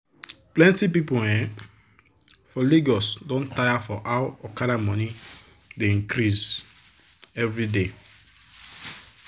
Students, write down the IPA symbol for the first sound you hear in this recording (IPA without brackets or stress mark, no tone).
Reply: p